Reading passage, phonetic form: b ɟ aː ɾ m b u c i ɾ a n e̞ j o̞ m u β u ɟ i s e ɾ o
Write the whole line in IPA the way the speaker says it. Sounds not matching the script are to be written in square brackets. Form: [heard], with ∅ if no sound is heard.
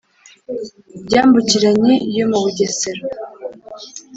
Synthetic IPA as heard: b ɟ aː [∅] m b u c i ɾ a [ɲ] e̞ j o̞ m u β u ɟ [e] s e ɾ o